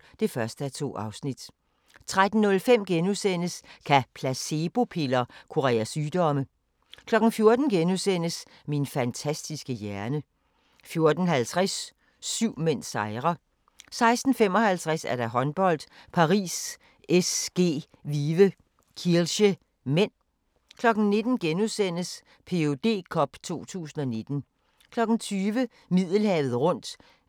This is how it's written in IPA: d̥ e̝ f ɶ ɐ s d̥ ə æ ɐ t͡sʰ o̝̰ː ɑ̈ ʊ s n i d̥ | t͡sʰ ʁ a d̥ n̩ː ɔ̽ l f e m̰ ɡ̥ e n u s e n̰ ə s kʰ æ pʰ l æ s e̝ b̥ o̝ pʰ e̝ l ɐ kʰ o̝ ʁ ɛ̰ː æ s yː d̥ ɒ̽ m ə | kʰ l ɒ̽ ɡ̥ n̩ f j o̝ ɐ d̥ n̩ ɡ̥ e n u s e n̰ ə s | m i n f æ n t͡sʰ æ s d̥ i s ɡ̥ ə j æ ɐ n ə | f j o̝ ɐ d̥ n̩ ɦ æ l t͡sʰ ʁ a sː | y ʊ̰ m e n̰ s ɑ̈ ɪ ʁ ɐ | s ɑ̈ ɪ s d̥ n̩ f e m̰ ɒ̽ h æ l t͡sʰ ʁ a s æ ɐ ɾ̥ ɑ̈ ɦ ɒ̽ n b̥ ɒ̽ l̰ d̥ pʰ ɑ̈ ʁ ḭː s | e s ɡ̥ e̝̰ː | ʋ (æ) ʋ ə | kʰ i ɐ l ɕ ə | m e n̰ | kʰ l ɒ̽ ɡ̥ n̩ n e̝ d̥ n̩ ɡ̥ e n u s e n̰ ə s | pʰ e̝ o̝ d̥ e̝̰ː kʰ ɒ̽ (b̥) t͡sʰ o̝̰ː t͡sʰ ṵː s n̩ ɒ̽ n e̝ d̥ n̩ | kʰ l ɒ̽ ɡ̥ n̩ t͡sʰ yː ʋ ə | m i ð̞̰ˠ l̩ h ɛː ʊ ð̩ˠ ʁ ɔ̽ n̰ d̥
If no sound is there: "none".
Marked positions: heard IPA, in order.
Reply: i, b̥

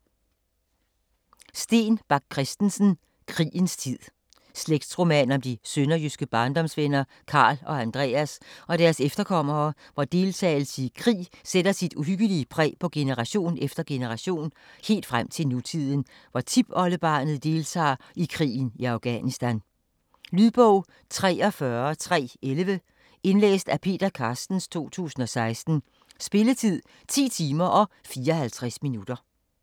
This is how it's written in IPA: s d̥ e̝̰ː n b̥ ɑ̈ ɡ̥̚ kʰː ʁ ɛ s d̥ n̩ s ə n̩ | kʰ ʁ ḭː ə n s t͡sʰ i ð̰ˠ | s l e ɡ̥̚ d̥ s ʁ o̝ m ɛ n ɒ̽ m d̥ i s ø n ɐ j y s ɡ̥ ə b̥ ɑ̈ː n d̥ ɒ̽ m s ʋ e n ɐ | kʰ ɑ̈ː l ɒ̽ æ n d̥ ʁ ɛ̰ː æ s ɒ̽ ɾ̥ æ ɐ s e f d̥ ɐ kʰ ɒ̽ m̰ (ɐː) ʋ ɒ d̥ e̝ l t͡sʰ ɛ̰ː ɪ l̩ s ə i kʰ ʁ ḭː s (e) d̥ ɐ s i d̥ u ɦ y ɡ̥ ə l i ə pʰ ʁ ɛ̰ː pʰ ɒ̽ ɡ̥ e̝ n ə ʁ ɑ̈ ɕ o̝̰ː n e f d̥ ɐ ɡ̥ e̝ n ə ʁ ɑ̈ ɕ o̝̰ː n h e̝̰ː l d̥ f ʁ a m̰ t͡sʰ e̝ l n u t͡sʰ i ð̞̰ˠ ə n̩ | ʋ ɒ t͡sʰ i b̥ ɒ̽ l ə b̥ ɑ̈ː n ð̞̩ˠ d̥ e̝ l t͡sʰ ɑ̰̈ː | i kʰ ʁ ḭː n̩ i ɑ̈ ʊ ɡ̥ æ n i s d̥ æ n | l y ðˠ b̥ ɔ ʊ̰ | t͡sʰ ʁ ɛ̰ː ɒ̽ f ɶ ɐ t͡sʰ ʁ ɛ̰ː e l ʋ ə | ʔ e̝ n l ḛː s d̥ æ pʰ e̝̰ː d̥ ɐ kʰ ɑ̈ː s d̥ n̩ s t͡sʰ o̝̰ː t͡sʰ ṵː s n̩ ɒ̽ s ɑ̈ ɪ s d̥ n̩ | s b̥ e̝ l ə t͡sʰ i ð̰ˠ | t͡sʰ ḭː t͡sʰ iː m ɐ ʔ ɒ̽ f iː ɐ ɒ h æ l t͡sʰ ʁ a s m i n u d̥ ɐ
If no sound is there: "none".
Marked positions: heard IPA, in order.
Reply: ɐː, e

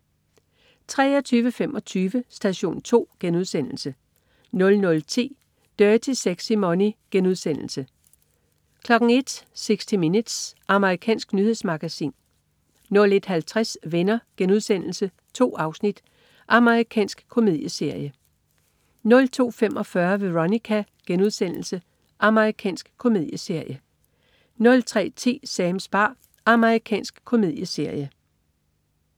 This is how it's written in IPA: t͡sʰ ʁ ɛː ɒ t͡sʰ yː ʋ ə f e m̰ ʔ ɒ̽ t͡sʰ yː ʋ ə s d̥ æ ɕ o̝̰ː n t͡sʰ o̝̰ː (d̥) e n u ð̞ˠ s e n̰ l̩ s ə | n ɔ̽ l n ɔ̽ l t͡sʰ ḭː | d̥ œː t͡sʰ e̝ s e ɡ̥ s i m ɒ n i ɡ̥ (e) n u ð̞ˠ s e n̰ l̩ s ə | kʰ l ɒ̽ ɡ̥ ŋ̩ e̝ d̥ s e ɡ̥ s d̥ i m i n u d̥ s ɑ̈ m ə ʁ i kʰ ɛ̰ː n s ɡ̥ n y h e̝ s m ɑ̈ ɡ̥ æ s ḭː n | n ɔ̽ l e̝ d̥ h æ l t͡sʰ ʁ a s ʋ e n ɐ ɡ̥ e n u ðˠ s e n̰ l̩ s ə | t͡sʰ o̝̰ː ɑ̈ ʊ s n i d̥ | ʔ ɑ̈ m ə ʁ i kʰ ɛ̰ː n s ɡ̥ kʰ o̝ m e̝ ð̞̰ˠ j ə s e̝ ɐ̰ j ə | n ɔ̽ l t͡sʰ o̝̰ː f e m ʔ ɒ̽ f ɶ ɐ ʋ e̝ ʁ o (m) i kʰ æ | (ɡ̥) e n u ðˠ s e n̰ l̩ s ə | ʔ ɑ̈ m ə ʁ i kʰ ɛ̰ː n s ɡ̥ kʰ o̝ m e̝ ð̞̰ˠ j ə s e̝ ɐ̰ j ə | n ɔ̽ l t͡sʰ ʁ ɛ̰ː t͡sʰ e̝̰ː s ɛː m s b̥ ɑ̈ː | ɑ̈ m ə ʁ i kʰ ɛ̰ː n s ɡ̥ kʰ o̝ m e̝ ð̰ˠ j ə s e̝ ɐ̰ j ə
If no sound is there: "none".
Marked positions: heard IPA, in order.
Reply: ɡ̥, e, n, ɡ̥

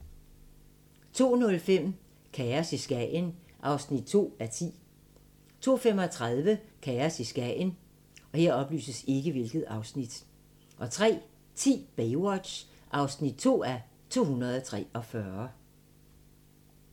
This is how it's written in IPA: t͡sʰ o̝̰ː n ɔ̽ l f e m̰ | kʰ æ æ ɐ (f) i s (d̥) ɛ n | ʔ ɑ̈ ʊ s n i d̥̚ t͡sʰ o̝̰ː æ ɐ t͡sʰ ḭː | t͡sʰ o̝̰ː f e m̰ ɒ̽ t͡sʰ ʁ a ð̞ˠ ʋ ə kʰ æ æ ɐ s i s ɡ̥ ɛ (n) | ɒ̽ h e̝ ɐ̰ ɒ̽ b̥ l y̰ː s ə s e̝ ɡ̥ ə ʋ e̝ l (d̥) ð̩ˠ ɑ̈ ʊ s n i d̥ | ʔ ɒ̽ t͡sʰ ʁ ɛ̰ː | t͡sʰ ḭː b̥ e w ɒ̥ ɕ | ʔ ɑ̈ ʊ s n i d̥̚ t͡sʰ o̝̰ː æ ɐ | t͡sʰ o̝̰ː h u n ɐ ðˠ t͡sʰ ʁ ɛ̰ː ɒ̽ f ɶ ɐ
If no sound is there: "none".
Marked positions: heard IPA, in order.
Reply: s, ɡ̥, n, ɡ̥

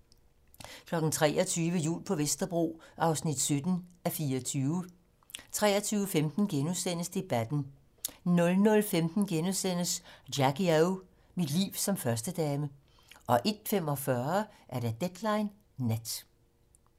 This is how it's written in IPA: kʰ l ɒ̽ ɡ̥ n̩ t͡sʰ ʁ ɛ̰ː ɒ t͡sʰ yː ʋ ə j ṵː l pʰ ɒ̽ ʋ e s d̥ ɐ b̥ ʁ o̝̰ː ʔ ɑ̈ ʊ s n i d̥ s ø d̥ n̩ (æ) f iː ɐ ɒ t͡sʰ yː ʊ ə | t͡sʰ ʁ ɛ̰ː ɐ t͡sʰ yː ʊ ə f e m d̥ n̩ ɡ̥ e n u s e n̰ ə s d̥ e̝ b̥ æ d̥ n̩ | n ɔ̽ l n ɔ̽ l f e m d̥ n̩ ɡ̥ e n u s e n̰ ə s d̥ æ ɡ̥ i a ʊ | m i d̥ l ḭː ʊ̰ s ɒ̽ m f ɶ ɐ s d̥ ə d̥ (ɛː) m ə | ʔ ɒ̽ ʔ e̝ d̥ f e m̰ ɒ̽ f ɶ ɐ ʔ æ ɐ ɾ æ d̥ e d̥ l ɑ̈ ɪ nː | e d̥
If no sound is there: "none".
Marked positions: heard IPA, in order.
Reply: æ, ɛː

